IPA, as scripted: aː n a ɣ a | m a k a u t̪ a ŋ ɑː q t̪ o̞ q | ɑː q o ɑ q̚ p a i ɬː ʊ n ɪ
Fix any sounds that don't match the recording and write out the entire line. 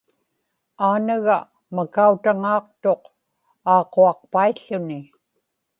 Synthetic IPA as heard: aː n a ɣ a | m a k a u t̪ a ŋ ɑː q t̪ o̞ q | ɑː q o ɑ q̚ p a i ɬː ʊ n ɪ